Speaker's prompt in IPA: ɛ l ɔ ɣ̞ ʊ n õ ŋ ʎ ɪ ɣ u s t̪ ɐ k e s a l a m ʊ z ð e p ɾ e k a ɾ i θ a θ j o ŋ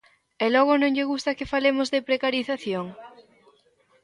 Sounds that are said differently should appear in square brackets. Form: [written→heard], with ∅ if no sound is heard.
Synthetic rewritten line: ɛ l ɔ ɣ̞ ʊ n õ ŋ ʎ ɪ ɣ u s t̪ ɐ k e [s→f] a l [a→e] m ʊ z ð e p ɾ e k a ɾ i θ a θ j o ŋ